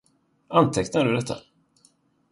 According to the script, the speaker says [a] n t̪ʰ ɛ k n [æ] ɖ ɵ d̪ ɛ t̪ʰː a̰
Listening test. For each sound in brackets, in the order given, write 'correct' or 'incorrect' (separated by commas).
correct, incorrect